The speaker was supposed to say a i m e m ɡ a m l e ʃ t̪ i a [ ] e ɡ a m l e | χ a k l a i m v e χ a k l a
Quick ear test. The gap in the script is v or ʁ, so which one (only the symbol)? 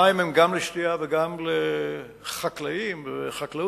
v